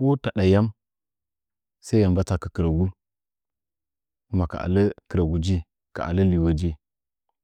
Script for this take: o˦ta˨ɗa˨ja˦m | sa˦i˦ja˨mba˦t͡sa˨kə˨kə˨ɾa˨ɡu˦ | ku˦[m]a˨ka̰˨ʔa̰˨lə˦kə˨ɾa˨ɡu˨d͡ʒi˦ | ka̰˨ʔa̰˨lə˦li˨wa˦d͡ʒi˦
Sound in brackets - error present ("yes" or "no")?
no